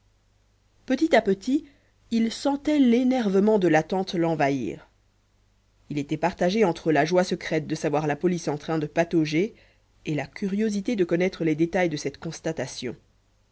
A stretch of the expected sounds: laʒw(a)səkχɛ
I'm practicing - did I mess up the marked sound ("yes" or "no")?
no